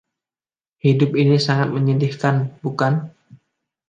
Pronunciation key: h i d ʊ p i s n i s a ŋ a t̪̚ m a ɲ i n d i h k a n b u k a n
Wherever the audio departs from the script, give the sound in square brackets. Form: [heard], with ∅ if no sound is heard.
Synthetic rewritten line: h i d ʊ p i [∅] n i s a ŋ a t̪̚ m [ə] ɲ i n d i h k a n b u k a n